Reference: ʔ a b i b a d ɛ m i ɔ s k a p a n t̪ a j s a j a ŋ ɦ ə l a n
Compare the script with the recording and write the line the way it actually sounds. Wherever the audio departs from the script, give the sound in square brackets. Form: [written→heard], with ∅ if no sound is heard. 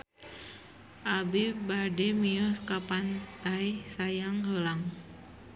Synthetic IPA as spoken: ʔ a b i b a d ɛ m i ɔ s k a p a n t̪ a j s a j a ŋ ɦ ə l a [n→ŋ]